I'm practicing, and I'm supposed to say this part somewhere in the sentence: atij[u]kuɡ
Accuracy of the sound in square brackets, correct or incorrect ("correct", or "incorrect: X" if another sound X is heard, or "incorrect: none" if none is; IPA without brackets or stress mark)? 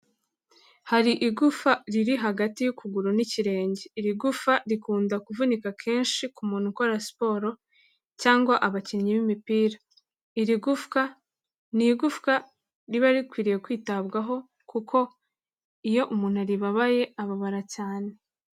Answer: correct